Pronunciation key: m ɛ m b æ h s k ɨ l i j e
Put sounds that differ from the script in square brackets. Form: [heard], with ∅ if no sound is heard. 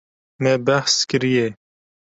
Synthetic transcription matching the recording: m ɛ [∅] b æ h s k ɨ [ɾ] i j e